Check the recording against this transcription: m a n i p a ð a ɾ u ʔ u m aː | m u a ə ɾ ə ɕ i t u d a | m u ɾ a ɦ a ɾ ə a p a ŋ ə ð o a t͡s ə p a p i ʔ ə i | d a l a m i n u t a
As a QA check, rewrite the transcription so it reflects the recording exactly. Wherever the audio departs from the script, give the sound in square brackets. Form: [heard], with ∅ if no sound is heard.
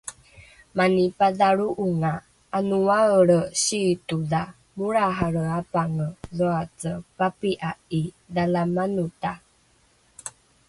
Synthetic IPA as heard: m a n i p a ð a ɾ u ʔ u [ŋ] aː | [n] u a ə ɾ ə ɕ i t u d a | m u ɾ a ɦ a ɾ ə a p a ŋ ə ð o a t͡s ə p a p i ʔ [a] i | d a l a m [a] n u t a